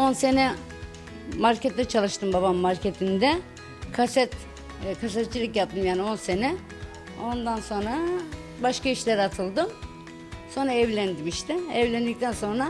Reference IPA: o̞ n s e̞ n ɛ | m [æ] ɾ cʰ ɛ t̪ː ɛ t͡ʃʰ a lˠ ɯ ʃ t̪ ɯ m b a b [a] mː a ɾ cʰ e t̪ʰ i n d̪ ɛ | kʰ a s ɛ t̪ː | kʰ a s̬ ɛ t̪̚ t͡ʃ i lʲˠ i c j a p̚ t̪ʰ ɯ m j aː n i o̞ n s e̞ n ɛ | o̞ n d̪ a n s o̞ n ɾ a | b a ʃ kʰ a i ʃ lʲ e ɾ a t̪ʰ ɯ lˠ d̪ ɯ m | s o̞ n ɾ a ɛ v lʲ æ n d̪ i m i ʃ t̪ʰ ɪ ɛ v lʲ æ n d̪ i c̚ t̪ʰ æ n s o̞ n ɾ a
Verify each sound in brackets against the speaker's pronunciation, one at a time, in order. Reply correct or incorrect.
incorrect, correct

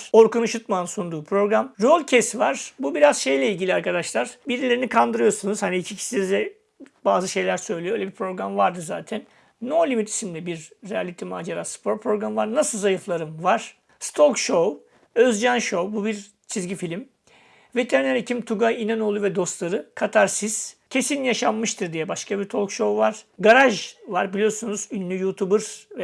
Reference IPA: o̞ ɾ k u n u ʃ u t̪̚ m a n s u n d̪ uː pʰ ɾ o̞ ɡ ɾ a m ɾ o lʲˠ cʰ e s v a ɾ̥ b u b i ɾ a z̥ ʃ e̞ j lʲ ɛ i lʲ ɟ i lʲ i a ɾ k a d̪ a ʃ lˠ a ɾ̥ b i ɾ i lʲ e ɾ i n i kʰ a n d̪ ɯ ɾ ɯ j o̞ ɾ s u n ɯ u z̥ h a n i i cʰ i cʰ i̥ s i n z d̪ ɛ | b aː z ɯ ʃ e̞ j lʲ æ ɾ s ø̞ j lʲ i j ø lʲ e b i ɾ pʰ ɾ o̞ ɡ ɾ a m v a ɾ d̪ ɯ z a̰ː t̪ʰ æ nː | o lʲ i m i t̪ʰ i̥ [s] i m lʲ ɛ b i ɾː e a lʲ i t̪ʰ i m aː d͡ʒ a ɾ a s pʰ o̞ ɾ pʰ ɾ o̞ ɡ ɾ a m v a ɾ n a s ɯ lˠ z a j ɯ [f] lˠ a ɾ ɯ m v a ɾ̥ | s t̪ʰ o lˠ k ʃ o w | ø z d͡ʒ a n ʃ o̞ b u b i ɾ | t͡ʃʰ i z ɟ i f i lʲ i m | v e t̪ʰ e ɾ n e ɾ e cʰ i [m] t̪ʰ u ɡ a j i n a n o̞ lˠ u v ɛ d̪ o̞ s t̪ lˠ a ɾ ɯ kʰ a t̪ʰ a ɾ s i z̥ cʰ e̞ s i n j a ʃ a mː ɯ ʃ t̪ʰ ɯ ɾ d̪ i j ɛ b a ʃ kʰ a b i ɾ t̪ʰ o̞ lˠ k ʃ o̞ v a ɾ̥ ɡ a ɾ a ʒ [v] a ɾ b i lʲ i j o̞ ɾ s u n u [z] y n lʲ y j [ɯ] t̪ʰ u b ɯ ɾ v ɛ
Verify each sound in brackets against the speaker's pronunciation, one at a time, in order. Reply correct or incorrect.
correct, correct, correct, correct, correct, incorrect

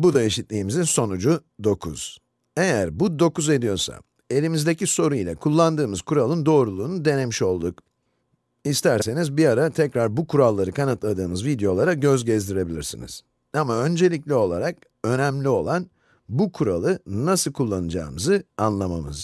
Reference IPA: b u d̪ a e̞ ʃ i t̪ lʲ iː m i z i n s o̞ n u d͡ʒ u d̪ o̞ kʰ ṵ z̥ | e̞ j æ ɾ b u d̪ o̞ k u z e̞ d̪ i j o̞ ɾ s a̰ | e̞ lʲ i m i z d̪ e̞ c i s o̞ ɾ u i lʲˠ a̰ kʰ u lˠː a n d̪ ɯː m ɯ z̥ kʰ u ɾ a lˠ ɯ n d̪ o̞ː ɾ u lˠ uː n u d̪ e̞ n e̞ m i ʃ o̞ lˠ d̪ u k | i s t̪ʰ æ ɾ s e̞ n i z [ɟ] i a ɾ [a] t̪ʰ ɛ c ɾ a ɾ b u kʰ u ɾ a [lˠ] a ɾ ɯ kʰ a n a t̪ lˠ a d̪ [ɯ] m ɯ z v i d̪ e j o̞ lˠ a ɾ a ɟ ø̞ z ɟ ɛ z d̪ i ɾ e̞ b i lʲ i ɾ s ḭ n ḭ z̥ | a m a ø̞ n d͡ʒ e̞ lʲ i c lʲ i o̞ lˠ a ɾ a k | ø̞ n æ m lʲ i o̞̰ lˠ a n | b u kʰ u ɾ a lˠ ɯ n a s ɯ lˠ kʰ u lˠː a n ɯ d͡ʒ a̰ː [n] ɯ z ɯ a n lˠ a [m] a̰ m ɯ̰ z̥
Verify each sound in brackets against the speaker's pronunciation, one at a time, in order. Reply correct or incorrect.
incorrect, correct, incorrect, incorrect, incorrect, correct

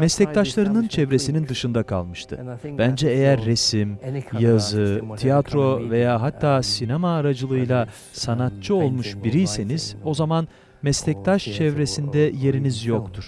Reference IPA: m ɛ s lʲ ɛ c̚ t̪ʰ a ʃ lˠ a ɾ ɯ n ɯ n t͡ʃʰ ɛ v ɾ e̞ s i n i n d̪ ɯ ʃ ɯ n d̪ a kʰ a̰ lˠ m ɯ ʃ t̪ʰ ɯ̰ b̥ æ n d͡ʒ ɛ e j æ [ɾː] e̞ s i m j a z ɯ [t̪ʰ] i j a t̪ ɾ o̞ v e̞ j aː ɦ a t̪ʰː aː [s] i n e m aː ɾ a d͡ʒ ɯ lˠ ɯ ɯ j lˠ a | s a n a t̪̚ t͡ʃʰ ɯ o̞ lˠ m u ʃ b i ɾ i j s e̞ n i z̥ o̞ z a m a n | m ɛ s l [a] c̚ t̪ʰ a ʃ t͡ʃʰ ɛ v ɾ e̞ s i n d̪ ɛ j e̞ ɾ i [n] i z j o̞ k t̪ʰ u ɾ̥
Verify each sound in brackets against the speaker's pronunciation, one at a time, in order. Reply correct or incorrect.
correct, correct, correct, incorrect, correct

